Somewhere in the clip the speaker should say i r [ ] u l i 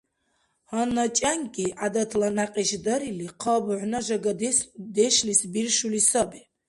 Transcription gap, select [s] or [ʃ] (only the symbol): ʃ